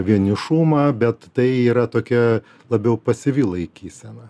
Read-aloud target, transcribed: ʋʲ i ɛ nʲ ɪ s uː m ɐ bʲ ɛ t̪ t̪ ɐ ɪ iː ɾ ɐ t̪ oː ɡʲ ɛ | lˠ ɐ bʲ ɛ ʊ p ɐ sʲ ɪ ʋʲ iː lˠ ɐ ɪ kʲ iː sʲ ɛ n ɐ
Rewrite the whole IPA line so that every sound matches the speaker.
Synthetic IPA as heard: ʋʲ i ɛ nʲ ɪ ʃ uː m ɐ bʲ ɛ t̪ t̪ ɐ ɪ iː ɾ ɐ t̪ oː kʲ ɛ | lˠ ɐ bʲ ɛ ʊ p ɐ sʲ ɪ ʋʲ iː lˠ ɐ ɪ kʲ iː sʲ ɛ n ɐ